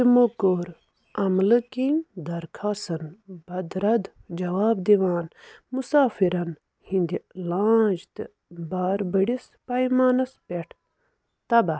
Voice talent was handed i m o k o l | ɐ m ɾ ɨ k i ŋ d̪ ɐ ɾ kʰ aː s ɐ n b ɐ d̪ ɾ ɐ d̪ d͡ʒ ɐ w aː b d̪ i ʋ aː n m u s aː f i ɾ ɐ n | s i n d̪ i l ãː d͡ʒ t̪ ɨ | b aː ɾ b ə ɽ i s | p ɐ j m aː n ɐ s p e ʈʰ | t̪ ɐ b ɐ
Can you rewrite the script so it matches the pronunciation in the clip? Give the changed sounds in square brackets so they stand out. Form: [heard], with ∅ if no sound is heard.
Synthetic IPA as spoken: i m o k o [ɾ] | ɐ m [l] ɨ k i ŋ d̪ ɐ ɾ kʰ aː s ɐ n b ɐ d̪ ɾ ɐ d̪ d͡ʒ ɐ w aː b d̪ i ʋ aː n m u s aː f i ɾ ɐ n | [h] i n d̪ i l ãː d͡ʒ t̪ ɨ | b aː ɾ b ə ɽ i s | p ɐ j m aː n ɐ s p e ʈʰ | t̪ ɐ b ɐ